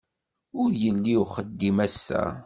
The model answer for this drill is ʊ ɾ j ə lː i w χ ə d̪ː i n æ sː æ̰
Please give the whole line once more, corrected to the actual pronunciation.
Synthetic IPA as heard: ʊ ɾ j ə lː i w χ ə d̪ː i m æ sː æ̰